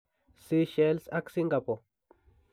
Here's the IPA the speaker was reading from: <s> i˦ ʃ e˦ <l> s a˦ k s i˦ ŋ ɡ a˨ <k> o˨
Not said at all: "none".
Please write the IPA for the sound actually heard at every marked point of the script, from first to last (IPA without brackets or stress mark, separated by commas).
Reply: s, l, p